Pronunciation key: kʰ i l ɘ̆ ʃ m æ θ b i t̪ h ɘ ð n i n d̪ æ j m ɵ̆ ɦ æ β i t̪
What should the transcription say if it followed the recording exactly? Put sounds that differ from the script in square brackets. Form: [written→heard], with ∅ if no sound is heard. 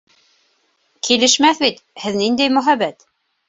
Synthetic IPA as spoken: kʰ i l ɘ̆ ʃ m æ θ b i t̪ h ɘ ð n i n d̪ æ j m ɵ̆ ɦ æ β [i→æ] t̪